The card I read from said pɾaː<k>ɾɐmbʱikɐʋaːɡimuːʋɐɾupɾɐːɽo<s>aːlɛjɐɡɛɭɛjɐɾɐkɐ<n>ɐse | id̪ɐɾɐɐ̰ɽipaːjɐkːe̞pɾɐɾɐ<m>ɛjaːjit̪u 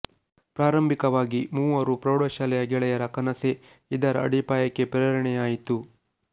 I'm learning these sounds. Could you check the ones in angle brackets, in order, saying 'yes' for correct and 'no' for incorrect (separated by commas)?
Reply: no, no, yes, no